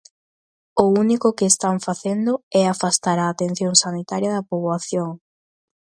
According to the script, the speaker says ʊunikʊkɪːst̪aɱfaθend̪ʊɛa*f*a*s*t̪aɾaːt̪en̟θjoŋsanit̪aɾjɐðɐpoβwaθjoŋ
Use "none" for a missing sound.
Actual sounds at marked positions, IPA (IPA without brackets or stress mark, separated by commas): f, s